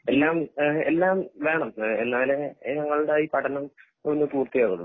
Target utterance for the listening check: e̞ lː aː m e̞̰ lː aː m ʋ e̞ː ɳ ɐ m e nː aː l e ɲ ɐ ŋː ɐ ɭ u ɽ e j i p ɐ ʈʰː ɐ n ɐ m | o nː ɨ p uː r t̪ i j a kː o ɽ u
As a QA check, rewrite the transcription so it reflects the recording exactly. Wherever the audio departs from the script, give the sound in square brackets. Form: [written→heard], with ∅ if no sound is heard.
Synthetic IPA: e̞ lː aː m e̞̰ lː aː m ʋ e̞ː ɳ ɐ m e nː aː l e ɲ ɐ ŋː ɐ ɭ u ɽ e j i p ɐ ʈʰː ɐ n ɐ m | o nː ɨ p uː r t̪ i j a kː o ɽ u

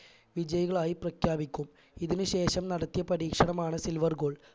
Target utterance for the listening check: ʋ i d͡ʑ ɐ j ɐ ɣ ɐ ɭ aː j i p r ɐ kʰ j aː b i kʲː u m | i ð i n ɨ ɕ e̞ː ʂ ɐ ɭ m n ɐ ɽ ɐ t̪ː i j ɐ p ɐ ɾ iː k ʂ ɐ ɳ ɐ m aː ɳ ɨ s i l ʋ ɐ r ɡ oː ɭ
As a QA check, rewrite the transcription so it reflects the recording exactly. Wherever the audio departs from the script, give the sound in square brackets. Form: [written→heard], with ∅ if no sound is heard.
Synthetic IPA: ʋ i d͡ʑ ɐ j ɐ ɣ ɐ ɭ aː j i p r ɐ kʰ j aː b i kʲː u m | i ð i n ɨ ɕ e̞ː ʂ ɐ [ɭ→∅] m n ɐ ɽ ɐ t̪ː i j ɐ p ɐ ɾ iː k ʂ ɐ ɳ ɐ m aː ɳ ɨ s i l ʋ ɐ r ɡ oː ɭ

